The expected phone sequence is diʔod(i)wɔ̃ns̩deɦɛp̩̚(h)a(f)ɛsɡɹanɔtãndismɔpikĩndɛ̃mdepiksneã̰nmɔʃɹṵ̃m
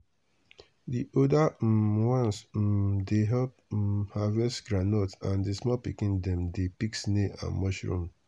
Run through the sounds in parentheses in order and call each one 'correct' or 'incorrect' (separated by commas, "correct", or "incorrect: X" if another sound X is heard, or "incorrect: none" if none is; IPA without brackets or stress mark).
incorrect: a, correct, incorrect: v